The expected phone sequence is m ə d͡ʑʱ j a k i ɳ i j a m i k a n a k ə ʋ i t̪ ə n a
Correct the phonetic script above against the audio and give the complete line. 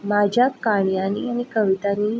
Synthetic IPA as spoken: m a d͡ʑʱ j a k a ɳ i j a n i a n i k ə ʋ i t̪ a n i